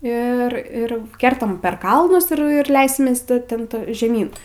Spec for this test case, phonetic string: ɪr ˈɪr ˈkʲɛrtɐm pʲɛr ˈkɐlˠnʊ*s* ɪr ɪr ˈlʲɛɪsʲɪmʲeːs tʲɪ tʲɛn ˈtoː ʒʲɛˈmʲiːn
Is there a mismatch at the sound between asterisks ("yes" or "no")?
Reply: no